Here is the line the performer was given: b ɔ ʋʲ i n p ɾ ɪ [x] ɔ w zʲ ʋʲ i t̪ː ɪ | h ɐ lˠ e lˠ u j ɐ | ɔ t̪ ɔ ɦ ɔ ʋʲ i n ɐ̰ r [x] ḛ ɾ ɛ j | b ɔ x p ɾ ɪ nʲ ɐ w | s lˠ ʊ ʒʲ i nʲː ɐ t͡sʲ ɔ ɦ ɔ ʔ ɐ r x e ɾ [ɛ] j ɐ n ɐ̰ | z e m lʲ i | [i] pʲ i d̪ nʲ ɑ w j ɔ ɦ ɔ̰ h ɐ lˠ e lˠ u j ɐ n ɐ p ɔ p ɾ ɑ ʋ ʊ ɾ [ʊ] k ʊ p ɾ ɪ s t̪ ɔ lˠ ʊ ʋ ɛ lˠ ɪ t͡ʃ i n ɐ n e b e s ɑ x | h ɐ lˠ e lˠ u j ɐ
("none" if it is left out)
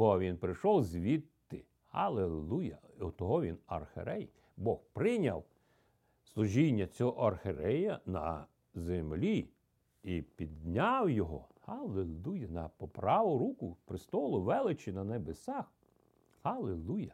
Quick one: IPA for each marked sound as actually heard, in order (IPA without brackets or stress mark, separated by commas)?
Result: ʃ, x, ɛ, i, u